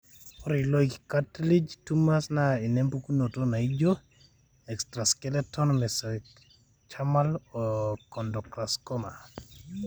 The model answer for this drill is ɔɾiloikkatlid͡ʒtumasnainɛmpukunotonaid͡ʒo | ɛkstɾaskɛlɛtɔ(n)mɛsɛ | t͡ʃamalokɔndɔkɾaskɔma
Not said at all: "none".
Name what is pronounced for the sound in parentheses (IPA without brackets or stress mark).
n